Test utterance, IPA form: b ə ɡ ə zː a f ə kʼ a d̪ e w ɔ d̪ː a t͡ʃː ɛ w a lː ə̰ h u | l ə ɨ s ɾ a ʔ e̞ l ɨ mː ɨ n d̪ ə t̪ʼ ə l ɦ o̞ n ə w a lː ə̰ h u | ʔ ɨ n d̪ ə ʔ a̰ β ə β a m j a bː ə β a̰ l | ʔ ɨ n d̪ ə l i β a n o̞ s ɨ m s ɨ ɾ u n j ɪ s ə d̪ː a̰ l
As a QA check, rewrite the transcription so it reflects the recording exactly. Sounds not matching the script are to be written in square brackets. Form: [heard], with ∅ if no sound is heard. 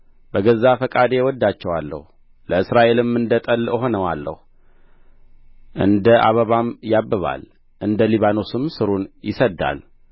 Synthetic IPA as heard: b ə ɡ ə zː a f ə kʼ a d̪ e w ɔ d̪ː a t͡ʃː ɛ w a lː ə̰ h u | l ə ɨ s ɾ a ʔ e̞ l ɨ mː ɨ n d̪ ə t̪ʼ ə l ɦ o̞ n ə w a lː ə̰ h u | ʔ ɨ n d̪ ə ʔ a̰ β ə β a m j a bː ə β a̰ l | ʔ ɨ n d̪ ə l i β a n o̞ s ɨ m s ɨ ɾ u n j ɪ s ə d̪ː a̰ l